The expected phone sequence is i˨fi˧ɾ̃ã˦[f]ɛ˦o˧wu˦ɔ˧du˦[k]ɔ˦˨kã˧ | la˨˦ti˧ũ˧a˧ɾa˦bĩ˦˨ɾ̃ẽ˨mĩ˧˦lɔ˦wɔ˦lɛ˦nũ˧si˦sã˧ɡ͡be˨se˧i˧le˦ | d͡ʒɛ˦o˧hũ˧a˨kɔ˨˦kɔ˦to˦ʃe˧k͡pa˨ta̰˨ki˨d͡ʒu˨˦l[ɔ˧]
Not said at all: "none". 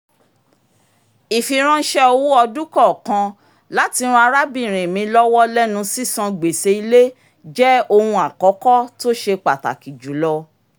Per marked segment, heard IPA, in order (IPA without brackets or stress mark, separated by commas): ʃ, k, ɔ˧